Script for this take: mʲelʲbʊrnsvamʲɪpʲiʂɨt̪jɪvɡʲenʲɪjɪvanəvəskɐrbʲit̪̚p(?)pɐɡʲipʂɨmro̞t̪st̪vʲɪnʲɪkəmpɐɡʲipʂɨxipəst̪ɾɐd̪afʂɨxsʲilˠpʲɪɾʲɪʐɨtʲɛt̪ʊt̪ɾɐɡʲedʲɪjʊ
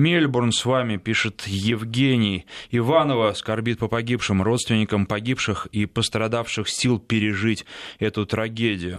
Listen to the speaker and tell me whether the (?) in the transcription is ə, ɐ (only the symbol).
ə